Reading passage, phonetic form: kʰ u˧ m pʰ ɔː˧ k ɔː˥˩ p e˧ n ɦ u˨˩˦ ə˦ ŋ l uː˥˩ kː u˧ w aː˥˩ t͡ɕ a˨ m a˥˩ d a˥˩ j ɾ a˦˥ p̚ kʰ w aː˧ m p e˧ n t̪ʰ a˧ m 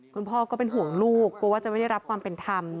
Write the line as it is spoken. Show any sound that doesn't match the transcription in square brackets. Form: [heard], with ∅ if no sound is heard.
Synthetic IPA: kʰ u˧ [n] pʰ [ɔː˥˩] k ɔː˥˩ p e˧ n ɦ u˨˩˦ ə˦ ŋ l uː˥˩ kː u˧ w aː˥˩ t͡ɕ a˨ m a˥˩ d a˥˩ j ɾ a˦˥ p̚ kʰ w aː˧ m p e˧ n t̪ʰ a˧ m